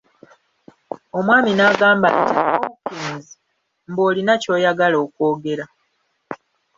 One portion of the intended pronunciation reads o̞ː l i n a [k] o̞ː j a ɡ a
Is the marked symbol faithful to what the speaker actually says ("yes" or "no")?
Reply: no